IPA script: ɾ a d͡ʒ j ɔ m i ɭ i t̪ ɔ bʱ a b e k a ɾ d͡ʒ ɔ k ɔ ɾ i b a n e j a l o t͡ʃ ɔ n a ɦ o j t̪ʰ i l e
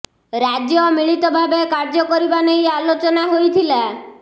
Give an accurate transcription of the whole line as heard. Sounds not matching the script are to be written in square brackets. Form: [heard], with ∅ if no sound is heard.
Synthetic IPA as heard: ɾ a d͡ʒ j ɔ m i ɭ i t̪ ɔ bʱ a b e k a ɾ d͡ʒ ɔ k ɔ ɾ i b a n e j a l o t͡ʃ ɔ n a ɦ o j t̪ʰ i l [a]

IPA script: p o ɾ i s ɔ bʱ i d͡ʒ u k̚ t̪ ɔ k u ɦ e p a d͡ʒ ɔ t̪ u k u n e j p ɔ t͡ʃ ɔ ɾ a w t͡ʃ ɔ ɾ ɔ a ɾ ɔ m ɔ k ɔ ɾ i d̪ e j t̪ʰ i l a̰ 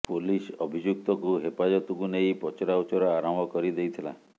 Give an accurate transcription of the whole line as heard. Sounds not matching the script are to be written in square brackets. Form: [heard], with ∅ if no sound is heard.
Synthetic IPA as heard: p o [l] i s ɔ bʱ i d͡ʒ u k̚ t̪ ɔ k u ɦ e p a d͡ʒ ɔ t̪ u k u n e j p ɔ t͡ʃ ɔ ɾ a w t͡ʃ ɔ ɾ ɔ a ɾ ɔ m ɔ k ɔ ɾ i d̪ e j t̪ʰ i l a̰

